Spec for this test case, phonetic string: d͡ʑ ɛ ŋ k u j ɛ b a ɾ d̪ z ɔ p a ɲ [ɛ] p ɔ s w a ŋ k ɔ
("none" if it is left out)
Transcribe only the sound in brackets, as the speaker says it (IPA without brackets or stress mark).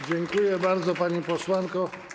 i